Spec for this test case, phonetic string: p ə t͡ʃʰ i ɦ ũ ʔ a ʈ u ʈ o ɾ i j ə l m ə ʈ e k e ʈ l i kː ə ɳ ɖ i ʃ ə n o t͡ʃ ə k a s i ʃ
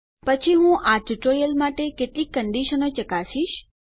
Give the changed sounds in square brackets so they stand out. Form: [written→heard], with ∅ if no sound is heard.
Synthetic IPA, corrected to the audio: p ə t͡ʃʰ i ɦ ũ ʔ a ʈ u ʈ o ɾ i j ə l m [ə→a] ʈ e k e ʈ l i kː ə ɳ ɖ i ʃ ə n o t͡ʃ ə k a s i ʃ